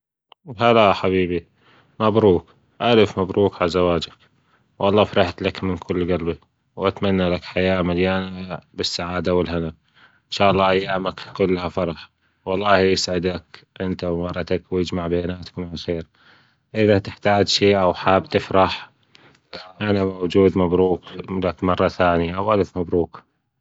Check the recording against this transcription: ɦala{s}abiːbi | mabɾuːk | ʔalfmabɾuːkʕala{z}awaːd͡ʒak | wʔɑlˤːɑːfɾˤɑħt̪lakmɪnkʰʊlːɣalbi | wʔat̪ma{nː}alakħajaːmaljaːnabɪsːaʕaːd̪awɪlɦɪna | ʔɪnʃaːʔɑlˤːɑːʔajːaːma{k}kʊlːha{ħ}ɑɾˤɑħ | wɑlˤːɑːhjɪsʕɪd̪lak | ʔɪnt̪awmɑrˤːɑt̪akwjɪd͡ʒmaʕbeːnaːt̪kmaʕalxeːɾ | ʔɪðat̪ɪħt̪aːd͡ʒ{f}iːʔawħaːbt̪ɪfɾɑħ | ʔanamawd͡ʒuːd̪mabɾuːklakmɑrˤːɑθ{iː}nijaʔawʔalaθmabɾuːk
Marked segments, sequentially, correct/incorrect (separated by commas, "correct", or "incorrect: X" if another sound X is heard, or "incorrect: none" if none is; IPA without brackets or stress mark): incorrect: ħ, correct, correct, correct, incorrect: f, incorrect: ʃ, incorrect: aː